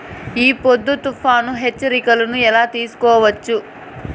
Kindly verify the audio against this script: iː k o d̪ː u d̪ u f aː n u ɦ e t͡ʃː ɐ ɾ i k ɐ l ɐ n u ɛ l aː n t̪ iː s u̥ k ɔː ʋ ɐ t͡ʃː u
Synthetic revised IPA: iː p o d̪ː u t̪ u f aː n u ɦ e t͡ʃː ɐ ɾ i k ɐ l ɐ n u ɛ l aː t̪ iː s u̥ k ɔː ʋ ɐ t͡ʃː u